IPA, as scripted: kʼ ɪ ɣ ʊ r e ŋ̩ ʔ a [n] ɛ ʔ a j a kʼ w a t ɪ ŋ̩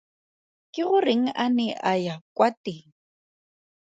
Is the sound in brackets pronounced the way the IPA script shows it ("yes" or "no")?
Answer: yes